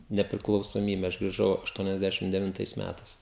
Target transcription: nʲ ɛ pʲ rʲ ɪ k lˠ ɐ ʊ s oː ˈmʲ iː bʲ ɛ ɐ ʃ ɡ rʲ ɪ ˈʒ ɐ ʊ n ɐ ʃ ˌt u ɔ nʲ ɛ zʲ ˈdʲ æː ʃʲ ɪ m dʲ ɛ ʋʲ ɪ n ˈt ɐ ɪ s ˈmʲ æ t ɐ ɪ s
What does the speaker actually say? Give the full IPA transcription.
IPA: nʲ ɛ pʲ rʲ ɪ k lˠ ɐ ʊ s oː ˈmʲ iː bʲ ɛ ɐ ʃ ɡ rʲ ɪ ˈʒ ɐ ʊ ɐ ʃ ˌt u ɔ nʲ ɛ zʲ ˈdʲ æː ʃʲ ɪ m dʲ ɛ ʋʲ ɪ n ˈt ɐ ɪ s ˈmʲ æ t ɐ ɪ s